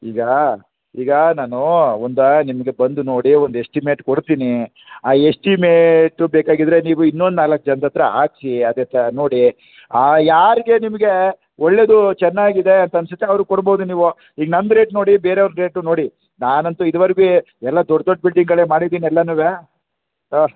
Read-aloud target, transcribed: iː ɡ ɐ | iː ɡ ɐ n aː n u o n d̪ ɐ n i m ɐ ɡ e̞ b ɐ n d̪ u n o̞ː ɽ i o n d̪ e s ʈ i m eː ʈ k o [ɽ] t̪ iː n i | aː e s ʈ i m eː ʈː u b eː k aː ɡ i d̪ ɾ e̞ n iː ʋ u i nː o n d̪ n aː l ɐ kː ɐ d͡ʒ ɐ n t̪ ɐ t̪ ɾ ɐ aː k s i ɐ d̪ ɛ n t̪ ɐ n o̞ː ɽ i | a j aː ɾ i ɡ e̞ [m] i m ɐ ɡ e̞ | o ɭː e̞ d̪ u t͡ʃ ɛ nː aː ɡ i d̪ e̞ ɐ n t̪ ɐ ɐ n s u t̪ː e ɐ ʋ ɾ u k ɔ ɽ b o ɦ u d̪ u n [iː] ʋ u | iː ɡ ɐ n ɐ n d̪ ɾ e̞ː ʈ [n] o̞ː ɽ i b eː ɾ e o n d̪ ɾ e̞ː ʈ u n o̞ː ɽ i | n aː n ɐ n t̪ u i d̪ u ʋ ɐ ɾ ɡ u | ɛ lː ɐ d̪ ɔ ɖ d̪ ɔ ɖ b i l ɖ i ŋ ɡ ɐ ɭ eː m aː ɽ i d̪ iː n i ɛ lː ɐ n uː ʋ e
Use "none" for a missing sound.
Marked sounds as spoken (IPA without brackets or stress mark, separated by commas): ɽ, n, iː, n